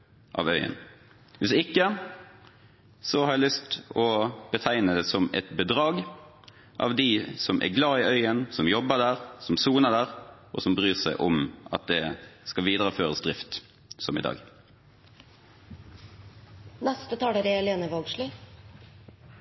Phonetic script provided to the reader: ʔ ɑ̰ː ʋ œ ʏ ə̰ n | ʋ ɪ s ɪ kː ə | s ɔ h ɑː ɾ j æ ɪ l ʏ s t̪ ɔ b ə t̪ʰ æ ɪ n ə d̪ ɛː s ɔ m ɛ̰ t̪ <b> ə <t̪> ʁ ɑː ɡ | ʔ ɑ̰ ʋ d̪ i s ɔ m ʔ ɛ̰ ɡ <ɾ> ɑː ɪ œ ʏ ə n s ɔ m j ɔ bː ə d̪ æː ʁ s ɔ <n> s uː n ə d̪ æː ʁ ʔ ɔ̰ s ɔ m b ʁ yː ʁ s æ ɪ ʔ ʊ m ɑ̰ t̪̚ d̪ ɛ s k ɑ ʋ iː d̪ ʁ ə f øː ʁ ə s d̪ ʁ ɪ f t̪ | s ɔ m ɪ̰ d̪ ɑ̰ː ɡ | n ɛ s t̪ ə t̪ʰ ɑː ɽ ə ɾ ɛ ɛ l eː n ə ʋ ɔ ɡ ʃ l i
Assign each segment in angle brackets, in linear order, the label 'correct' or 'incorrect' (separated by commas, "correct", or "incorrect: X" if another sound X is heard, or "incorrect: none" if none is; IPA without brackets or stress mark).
correct, incorrect: d̪, incorrect: l, incorrect: m